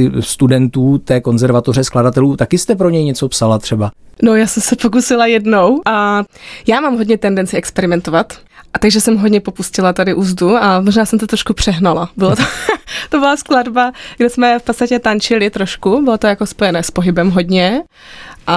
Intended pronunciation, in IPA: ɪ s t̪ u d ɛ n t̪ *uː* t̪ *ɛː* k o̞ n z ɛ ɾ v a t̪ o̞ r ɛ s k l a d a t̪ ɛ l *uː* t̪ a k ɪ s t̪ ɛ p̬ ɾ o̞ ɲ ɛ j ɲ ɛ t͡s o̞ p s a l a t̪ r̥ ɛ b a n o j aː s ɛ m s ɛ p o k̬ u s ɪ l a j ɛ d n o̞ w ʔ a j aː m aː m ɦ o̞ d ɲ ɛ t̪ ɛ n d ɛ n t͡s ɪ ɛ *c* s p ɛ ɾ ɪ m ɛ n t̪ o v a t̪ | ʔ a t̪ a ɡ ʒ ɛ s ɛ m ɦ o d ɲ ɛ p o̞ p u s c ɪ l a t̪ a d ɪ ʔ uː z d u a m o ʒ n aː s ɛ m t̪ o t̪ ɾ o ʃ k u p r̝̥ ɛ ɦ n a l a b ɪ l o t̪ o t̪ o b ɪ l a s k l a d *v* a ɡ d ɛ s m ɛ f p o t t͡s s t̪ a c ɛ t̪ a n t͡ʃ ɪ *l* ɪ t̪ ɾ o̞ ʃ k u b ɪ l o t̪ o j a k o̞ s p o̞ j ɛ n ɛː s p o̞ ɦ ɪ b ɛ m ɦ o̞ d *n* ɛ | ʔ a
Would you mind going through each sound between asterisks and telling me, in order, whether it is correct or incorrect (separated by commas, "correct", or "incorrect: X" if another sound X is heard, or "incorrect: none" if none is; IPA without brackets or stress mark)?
correct, correct, correct, incorrect: k, incorrect: b, correct, incorrect: ɲ